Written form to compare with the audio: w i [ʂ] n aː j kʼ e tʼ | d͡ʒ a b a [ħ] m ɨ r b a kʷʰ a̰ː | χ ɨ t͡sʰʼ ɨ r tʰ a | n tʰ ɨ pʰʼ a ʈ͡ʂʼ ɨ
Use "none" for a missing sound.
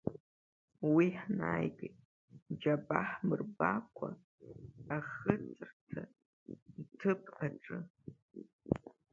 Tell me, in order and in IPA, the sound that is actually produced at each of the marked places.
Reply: ħ, ħ

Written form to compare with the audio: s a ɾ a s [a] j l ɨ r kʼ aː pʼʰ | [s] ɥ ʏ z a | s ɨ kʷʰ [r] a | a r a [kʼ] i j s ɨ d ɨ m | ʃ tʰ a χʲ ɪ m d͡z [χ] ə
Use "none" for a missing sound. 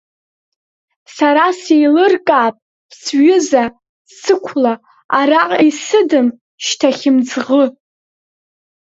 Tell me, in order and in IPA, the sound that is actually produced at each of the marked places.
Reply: e, s, l, qʼ, ʁ

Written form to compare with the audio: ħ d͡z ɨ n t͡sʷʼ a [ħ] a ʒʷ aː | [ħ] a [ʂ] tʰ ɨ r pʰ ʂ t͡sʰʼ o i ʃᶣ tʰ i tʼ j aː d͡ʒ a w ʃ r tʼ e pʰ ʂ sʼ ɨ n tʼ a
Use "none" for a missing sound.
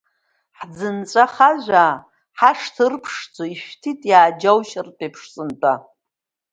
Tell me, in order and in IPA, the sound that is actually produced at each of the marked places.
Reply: χ, ħ, ʂ

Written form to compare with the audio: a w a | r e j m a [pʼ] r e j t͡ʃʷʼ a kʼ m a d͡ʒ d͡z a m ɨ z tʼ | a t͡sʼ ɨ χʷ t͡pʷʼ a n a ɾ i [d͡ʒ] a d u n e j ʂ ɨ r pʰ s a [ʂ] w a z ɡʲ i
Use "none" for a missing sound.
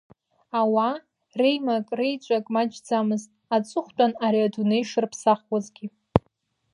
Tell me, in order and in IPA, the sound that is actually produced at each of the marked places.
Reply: kʼ, none, χ

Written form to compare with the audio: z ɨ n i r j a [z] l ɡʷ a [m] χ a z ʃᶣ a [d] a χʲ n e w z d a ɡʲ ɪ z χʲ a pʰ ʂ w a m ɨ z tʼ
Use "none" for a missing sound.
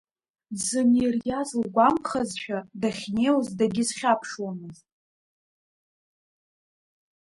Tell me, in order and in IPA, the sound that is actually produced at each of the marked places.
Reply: z, m, d

